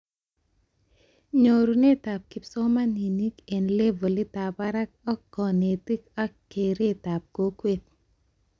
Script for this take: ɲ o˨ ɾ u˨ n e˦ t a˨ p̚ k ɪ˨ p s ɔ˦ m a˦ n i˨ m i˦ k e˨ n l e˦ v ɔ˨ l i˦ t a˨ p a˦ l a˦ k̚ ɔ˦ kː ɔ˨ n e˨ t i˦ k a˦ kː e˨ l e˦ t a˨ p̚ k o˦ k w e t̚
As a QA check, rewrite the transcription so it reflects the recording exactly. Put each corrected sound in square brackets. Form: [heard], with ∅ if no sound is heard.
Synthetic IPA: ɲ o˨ ɾ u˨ n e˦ t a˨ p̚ k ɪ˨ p s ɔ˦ m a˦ n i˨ [n] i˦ k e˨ n l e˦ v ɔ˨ l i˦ t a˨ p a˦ [ɾ] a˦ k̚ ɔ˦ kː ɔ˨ n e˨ t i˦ k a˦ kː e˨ [ɾ] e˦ t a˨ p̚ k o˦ k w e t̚